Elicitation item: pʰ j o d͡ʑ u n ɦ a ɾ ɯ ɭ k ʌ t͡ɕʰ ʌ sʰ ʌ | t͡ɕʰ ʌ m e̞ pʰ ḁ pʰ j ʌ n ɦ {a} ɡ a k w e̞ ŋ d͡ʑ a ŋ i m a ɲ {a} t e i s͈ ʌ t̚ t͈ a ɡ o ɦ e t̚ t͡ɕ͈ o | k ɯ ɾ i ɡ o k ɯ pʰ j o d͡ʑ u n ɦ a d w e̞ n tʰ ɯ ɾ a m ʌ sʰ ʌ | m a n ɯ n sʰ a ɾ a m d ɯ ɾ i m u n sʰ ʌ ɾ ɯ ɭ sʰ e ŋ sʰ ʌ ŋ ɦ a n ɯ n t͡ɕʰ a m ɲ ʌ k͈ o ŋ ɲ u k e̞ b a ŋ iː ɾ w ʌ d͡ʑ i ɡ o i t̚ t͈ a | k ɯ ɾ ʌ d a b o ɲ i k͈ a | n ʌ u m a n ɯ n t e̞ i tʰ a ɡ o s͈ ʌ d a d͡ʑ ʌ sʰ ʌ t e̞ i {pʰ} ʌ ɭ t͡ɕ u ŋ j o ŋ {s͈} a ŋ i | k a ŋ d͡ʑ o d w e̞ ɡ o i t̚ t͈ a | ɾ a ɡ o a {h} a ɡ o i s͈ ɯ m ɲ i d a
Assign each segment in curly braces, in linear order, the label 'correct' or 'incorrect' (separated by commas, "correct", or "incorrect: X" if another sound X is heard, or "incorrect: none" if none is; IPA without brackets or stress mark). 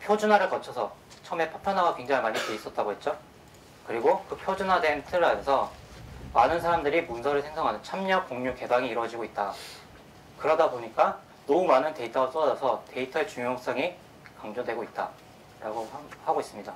correct, incorrect: i, incorrect: tʰ, correct, correct